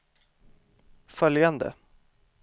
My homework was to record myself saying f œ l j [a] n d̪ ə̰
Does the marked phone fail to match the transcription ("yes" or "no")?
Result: no